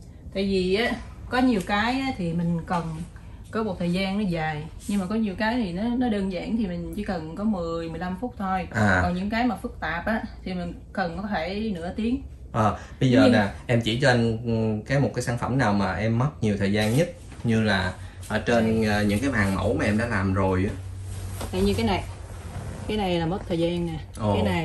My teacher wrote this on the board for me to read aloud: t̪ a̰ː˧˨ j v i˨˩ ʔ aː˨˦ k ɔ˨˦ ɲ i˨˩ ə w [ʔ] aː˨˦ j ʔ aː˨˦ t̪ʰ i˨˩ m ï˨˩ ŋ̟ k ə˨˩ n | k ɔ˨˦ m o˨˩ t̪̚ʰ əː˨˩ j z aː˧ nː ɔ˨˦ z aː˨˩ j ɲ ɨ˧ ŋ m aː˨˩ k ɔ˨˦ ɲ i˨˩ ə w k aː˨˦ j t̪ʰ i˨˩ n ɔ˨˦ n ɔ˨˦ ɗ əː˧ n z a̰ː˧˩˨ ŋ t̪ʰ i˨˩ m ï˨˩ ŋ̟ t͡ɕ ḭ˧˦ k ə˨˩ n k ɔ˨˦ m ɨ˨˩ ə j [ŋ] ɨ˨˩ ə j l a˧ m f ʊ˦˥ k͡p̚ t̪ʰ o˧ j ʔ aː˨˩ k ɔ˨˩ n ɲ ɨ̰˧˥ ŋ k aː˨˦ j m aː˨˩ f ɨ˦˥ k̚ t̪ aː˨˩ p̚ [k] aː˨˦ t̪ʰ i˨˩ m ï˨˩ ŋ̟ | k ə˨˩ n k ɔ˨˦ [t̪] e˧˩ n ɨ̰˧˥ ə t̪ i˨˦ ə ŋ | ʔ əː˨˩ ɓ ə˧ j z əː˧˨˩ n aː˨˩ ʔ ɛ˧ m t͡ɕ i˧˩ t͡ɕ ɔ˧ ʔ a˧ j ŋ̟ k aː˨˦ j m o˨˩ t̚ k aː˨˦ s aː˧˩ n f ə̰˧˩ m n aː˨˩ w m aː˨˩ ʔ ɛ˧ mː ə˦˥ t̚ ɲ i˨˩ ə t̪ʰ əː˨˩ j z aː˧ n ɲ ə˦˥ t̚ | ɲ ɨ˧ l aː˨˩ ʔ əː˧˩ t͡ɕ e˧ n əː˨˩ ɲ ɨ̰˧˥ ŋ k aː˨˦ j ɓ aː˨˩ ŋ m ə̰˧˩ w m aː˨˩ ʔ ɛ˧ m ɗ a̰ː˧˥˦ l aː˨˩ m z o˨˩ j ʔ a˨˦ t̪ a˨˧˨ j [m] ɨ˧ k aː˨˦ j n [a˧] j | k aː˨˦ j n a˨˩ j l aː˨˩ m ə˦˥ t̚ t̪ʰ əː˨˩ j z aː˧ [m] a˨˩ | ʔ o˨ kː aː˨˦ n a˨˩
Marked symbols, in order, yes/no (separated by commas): no, no, no, no, no, no, no